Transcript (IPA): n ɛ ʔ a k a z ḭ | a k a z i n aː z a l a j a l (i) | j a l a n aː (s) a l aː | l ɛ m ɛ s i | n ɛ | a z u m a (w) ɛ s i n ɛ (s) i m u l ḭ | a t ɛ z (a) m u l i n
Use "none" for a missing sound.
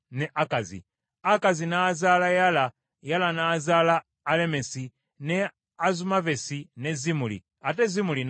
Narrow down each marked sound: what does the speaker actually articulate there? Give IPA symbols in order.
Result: a, z, v, z, i

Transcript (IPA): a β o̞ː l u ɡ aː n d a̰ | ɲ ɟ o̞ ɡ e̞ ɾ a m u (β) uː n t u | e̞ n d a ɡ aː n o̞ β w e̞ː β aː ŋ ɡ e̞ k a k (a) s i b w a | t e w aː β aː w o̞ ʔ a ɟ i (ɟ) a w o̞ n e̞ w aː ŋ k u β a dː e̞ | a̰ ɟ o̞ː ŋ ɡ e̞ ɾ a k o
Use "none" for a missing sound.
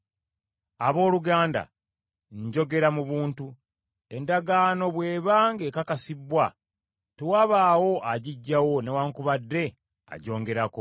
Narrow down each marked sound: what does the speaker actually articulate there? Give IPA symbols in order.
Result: β, a, ɟː

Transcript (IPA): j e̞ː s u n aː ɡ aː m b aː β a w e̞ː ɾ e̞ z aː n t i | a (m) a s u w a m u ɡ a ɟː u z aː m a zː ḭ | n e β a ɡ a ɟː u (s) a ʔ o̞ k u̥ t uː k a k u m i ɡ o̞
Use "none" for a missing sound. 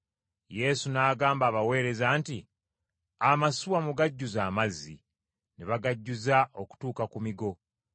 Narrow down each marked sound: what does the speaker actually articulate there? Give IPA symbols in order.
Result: m, z

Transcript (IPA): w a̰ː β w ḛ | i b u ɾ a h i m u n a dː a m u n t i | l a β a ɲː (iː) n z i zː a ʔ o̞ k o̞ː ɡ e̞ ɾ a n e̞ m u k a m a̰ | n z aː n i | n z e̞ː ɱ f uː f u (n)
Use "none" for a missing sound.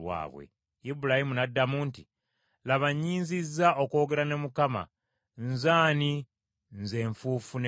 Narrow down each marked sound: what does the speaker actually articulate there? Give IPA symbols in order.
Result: iː, n

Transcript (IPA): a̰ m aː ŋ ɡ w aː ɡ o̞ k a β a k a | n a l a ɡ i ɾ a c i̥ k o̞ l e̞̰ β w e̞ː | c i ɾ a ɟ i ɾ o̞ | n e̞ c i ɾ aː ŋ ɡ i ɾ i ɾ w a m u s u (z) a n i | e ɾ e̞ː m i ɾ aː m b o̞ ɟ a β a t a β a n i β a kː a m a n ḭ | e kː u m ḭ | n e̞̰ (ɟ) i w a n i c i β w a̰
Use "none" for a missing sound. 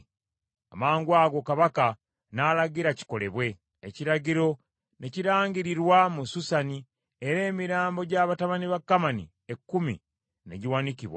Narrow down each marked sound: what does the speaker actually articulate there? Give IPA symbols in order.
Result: s, ɟ

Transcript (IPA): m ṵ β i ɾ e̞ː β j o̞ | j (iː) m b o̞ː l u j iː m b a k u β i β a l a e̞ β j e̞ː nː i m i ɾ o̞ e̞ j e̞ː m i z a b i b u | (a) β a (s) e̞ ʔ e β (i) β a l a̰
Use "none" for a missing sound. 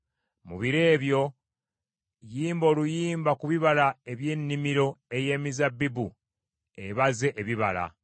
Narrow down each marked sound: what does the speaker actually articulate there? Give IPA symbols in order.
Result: iː, e, z, i

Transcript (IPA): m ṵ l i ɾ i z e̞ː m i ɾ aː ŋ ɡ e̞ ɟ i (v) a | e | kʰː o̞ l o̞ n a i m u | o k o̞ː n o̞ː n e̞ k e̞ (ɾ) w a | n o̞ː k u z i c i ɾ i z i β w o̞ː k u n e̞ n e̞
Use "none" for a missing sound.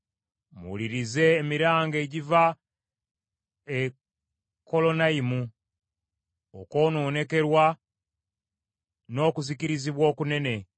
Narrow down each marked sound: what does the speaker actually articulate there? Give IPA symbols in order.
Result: v, ɾ

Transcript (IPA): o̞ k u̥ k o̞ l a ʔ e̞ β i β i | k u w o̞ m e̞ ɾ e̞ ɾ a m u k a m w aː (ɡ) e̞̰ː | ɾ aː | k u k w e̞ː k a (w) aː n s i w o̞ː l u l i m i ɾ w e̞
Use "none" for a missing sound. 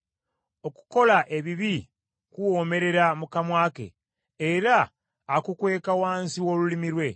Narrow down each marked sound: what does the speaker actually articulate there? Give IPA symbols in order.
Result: k, w

